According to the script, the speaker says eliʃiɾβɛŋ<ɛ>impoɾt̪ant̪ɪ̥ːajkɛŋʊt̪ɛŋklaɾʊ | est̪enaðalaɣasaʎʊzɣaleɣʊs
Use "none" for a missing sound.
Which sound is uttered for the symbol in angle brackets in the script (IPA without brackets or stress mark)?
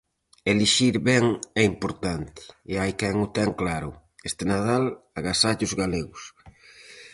ɛ